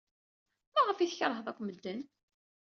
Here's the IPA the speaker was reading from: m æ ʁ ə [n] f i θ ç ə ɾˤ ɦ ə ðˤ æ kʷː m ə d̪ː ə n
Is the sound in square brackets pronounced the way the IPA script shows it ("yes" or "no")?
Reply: no